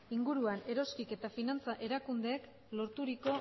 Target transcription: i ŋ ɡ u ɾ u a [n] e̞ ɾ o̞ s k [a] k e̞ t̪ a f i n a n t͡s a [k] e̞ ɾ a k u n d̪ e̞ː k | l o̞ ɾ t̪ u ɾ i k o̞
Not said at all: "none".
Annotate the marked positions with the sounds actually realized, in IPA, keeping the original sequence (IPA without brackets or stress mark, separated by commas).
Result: n, i, ʔ